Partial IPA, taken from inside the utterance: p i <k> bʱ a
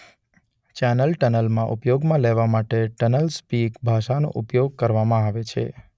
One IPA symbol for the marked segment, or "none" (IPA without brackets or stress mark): k